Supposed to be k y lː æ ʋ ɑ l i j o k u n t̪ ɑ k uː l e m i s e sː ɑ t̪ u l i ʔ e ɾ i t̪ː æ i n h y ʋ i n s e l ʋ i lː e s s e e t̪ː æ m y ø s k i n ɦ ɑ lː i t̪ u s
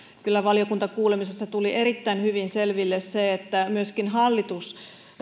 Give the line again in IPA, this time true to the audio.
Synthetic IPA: k y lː æ ʋ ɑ l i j o k u n t̪ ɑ k uː l e m i s e sː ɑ t̪ u l i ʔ e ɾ i t̪ː æ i n h y ʋ i n s e l ʋ i lː e s s e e t̪ː æ m y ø s k i n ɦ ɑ lː i t̪ u s